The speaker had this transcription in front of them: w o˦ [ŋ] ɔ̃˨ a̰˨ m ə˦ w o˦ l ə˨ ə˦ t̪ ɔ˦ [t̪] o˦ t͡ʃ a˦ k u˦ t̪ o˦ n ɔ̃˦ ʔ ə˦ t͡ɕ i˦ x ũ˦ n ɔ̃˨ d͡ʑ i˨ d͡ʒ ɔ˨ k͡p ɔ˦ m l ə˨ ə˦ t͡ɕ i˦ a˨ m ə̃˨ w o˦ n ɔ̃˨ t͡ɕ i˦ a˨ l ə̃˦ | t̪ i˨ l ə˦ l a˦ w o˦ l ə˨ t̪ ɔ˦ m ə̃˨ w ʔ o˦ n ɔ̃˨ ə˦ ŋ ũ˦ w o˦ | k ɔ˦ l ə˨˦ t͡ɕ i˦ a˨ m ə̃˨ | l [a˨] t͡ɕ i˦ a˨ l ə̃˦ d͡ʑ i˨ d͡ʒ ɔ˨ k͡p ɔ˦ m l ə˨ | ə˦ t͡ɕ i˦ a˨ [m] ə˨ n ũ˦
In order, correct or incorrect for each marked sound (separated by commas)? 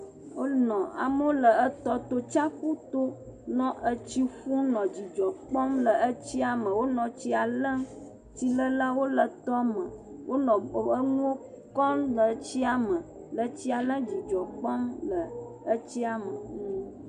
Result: incorrect, correct, incorrect, correct